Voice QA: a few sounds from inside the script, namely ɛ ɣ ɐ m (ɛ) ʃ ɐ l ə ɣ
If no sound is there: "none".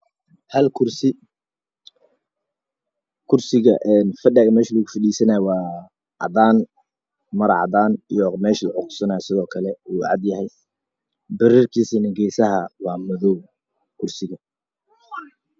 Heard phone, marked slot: ɛː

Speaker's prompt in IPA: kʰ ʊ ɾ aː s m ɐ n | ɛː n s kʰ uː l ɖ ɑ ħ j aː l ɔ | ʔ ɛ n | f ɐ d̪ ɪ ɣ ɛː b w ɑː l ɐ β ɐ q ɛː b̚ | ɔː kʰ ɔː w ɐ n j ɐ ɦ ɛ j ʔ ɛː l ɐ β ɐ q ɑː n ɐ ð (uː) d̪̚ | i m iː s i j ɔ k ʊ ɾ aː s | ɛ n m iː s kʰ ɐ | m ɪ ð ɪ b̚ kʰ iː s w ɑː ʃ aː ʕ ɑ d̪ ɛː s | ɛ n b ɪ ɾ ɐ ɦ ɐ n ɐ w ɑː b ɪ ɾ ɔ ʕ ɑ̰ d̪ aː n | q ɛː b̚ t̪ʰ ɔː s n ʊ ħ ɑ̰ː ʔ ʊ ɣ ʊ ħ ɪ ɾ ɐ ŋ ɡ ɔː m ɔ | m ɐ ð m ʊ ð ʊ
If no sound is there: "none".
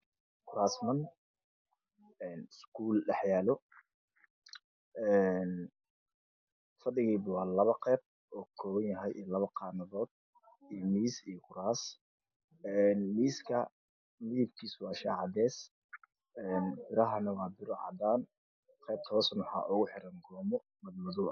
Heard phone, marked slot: ɔː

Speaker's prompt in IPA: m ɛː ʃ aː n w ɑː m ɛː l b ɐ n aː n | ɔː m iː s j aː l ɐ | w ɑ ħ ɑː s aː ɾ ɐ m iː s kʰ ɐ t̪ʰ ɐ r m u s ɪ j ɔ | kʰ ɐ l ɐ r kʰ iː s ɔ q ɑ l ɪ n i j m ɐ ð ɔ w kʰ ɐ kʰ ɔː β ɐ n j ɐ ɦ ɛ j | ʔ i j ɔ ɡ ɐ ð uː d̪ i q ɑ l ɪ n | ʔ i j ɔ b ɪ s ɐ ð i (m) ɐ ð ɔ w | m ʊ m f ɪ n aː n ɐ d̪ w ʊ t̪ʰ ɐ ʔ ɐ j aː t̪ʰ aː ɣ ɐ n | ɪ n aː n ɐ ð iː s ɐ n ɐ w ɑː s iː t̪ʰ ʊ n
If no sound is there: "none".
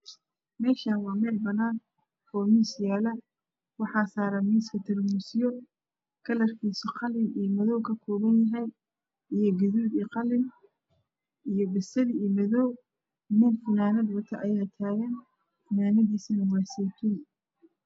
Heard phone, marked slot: m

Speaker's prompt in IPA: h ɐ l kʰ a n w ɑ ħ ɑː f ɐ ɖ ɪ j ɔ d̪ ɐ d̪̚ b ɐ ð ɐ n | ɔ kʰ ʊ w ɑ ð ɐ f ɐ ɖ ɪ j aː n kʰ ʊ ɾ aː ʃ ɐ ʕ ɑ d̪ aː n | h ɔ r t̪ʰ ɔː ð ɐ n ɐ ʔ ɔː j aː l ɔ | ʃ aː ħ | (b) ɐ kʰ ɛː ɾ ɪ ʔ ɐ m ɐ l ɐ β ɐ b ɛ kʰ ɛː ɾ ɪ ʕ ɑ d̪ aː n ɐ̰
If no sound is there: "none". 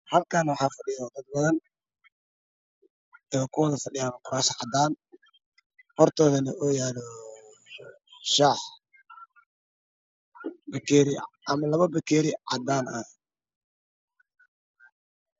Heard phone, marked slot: b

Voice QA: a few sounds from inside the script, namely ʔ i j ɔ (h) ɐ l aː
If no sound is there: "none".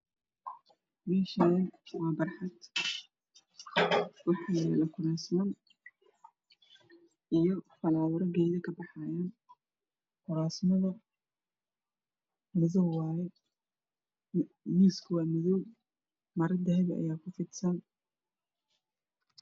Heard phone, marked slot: f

